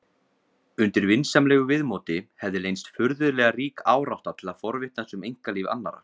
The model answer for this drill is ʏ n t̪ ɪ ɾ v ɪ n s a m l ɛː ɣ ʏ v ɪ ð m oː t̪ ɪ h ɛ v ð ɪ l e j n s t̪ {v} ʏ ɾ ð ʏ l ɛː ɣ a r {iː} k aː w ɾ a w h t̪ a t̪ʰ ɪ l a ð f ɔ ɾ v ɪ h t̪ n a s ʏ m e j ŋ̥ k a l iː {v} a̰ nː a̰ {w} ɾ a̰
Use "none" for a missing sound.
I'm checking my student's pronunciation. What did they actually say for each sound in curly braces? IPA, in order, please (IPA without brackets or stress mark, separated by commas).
f, iː, v, none